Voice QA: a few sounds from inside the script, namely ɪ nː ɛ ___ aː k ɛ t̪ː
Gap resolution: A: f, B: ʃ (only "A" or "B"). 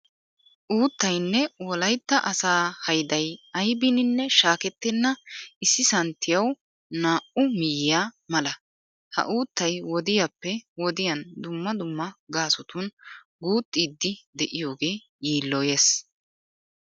B